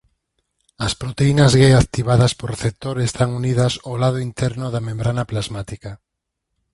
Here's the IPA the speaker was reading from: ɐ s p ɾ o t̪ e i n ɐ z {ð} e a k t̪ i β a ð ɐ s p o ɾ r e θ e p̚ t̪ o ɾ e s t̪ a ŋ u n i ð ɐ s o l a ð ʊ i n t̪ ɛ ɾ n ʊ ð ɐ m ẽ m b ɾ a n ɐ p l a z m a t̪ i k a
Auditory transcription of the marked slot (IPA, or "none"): ɣ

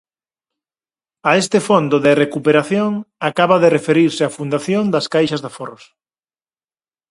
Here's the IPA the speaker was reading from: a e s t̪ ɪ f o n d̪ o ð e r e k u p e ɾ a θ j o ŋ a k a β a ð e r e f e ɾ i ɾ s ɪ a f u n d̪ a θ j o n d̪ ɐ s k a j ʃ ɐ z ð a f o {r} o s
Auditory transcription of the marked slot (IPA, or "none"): r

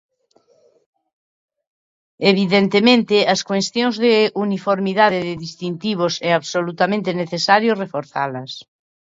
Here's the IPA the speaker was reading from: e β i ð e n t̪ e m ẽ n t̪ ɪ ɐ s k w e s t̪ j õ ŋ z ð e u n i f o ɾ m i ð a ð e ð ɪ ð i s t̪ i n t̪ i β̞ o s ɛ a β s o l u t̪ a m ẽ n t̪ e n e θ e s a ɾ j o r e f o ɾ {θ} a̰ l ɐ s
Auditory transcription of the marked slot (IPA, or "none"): θ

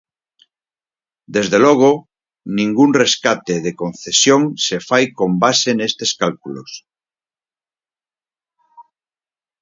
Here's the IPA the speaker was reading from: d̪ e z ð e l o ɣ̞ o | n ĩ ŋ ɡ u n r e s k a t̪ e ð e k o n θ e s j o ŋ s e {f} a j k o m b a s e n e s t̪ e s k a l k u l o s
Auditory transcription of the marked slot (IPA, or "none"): f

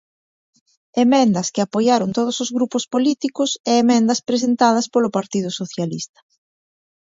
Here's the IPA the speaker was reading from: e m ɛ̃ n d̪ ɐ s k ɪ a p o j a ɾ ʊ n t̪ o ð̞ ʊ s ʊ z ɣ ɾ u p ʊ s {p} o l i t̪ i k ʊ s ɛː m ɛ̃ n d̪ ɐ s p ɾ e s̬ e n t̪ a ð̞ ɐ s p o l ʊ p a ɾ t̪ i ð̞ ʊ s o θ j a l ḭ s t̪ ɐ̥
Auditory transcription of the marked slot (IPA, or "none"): p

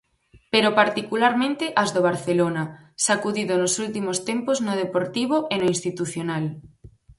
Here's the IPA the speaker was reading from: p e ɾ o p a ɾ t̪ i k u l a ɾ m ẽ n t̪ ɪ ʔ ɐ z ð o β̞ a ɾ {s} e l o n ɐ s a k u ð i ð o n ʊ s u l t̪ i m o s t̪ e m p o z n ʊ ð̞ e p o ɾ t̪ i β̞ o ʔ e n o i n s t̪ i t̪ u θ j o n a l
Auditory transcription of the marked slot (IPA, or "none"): θ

